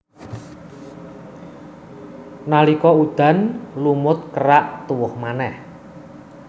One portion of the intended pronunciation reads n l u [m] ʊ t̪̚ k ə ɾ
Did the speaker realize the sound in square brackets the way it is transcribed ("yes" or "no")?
yes